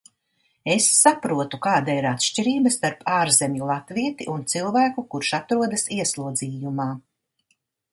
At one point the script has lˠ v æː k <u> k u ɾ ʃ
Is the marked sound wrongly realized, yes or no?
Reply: no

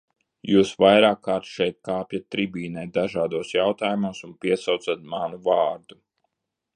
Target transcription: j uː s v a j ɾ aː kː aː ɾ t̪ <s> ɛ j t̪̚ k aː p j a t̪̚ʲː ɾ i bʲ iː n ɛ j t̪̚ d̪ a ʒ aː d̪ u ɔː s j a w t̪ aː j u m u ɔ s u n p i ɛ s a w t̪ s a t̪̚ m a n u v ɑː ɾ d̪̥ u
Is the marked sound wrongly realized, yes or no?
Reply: yes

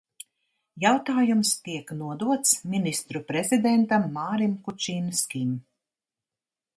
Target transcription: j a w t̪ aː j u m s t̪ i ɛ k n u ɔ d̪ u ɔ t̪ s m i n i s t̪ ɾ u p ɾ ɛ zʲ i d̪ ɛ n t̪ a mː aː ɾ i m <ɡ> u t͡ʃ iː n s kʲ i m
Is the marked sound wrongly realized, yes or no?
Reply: yes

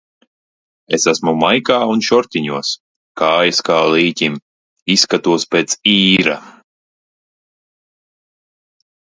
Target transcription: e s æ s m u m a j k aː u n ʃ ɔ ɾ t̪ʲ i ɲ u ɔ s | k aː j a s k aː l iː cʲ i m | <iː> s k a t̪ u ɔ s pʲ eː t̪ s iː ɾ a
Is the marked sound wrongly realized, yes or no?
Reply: yes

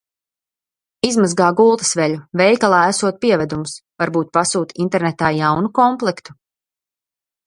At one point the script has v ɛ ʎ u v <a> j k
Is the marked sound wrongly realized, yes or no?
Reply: yes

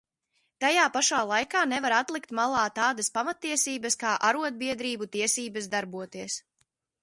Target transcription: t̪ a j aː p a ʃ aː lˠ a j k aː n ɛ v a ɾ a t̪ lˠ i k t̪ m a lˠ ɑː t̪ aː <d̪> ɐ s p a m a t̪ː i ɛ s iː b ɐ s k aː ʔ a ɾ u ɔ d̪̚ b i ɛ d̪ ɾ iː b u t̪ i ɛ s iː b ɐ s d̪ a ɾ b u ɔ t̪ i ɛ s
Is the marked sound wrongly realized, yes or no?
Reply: no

